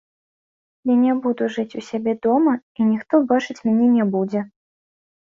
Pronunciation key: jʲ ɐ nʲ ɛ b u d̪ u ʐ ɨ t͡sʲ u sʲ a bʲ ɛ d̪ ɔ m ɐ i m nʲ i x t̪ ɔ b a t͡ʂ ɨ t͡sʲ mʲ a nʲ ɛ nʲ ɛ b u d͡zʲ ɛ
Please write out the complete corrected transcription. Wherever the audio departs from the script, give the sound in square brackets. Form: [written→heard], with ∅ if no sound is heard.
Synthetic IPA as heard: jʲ [ɐ→a] nʲ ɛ b u d̪ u ʐ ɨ t͡sʲ u sʲ a bʲ ɛ d̪ ɔ m ɐ i [m→∅] nʲ i x t̪ ɔ b a t͡ʂ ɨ t͡sʲ mʲ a nʲ ɛ nʲ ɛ b u d͡zʲ ɛ